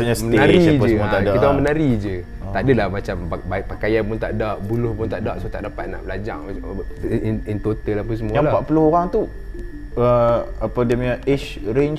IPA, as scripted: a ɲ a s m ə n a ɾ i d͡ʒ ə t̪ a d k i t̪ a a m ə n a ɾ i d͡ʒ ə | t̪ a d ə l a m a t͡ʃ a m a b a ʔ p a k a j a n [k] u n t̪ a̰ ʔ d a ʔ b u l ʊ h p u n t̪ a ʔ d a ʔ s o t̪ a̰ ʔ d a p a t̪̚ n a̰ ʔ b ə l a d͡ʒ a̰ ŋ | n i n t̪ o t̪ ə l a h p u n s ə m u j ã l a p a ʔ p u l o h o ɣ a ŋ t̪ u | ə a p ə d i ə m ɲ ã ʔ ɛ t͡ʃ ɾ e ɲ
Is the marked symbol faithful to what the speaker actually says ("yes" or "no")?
no